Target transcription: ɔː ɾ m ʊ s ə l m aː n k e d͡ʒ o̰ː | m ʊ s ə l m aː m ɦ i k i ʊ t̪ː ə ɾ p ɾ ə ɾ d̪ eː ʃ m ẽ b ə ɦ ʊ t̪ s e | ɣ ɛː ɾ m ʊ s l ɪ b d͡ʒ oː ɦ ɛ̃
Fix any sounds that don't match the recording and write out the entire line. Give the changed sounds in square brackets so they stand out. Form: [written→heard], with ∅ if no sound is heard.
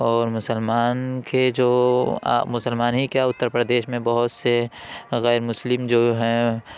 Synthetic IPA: ɔː ɾ m ʊ s ə l m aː n k e d͡ʒ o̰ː | m ʊ s ə l m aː [m→n] ɦ i k [i→a] ʊ t̪ː ə ɾ p ɾ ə [ɾ→∅] d̪ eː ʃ m ẽ b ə ɦ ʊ t̪ s e | ɣ ɛː ɾ m ʊ s l ɪ [b→m] d͡ʒ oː ɦ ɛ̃

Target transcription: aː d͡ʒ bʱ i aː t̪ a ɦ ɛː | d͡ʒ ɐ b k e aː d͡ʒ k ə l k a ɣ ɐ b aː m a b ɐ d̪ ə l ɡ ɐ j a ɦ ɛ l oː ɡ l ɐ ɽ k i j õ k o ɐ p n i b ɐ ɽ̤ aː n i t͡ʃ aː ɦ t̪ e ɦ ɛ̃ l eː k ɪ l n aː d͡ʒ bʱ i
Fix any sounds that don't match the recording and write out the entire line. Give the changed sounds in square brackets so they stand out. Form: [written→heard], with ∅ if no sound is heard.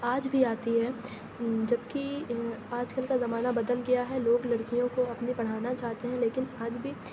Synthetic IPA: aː d͡ʒ bʱ i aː t̪ [a→i] ɦ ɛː | d͡ʒ ɐ b k [e→i] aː d͡ʒ k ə l k a [ɣ→z] ɐ [b→m] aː [m→n] a b ɐ d̪ ə l ɡ ɐ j a ɦ ɛ l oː ɡ l ɐ ɽ k i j õ k o ɐ p n i b ɐ ɽ̤ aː n [i→a] t͡ʃ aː ɦ t̪ e ɦ ɛ̃ l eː k ɪ [l→∅] n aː d͡ʒ bʱ i

